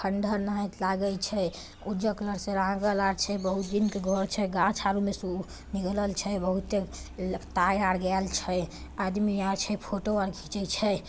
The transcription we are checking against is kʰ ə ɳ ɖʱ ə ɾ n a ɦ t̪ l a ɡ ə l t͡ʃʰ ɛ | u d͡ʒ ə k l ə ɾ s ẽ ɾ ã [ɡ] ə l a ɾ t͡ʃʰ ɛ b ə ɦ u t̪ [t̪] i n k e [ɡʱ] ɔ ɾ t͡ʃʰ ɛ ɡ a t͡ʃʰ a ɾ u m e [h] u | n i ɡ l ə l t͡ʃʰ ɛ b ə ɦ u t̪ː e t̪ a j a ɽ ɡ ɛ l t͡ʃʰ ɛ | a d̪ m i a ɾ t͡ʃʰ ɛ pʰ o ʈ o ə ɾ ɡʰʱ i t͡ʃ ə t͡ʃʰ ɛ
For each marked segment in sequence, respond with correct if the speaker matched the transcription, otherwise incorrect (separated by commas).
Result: correct, incorrect, correct, incorrect